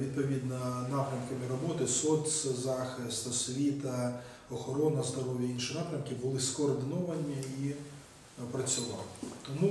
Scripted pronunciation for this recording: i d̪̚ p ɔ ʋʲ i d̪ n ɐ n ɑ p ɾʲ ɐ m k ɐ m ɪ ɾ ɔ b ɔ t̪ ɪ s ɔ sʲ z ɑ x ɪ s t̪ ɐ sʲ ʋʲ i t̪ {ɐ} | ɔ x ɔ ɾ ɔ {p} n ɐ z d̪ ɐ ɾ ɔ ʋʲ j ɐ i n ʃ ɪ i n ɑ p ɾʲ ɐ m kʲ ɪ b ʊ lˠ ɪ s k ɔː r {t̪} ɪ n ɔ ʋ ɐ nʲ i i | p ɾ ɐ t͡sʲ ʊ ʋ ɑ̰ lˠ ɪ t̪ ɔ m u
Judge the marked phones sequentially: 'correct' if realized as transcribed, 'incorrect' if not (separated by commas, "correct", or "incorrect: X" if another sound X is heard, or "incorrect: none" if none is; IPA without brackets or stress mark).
correct, incorrect: none, incorrect: d̪